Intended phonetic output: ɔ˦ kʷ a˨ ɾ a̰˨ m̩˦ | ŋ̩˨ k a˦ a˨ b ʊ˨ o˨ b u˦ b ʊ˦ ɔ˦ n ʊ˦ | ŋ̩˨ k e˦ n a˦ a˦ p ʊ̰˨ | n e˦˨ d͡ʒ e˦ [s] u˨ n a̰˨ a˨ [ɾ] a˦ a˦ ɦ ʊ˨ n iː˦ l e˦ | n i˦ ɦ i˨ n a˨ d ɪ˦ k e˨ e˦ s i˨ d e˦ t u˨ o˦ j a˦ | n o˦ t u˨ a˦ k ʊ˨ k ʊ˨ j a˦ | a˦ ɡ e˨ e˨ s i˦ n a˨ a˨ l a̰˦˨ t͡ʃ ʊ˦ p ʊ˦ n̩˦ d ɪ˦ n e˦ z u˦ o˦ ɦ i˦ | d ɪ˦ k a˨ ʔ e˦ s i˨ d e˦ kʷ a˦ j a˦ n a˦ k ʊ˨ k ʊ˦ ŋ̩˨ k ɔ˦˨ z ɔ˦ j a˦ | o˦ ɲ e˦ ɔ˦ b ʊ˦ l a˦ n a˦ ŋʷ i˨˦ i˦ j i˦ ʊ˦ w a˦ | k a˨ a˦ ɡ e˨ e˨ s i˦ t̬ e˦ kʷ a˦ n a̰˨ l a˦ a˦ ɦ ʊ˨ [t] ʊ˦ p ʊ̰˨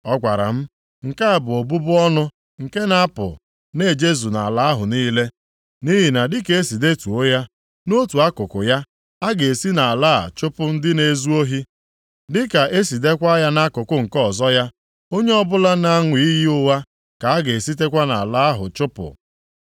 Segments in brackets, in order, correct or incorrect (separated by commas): incorrect, incorrect, incorrect